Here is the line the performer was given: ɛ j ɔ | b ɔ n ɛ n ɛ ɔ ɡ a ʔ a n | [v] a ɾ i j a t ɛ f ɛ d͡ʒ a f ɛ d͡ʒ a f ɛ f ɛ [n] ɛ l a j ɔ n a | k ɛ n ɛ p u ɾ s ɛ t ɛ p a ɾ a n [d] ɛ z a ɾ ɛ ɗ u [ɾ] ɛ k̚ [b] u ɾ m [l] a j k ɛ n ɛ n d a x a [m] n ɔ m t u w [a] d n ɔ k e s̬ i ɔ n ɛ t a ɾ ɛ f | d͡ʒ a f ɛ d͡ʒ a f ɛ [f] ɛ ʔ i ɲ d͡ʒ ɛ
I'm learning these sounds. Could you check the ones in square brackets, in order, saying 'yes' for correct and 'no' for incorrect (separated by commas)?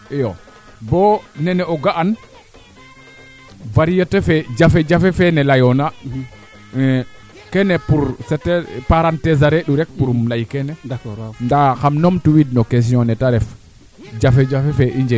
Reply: yes, yes, no, yes, no, yes, yes, no, yes